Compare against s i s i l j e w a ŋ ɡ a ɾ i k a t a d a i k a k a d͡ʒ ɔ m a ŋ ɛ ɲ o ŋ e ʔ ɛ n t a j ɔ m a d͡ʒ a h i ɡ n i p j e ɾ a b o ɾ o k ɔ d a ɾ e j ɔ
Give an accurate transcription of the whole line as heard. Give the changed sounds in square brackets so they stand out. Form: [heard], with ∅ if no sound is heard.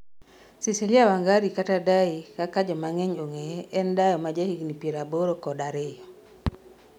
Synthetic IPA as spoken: s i s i l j [a] w a ŋ ɡ a ɾ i k a t a d a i k a k a d͡ʒ ɔ m a ŋ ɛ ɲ o ŋ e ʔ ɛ n [d] a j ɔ m a d͡ʒ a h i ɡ n i p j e ɾ a b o ɾ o k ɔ d a ɾ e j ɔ